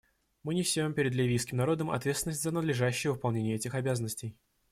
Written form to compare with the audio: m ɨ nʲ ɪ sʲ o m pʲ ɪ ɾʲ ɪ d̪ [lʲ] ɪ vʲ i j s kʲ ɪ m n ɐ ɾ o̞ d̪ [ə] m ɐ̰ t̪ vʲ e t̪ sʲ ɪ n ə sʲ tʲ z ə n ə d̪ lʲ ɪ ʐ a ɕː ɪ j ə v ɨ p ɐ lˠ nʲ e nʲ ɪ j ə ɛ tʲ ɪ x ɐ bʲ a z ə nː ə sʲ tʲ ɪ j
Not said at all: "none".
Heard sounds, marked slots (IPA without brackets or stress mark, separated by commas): lʲ, ə